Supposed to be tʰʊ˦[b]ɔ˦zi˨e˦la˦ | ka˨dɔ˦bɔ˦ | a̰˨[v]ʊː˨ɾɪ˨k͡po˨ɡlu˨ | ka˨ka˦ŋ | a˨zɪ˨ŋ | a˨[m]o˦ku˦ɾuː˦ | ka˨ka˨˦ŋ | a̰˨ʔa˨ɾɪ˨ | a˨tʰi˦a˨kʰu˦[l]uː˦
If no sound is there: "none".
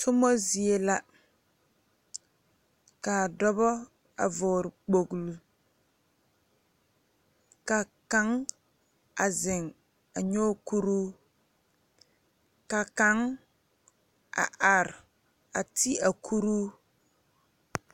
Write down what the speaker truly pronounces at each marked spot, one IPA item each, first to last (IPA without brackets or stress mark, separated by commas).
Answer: m, v, ɲ, ɾ